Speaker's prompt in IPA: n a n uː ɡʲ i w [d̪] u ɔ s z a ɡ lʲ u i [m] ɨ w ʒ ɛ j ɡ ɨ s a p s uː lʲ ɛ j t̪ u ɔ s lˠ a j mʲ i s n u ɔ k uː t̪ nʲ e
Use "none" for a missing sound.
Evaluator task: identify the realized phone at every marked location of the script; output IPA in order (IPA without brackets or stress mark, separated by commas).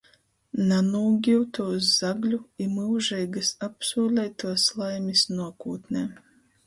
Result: t̪, m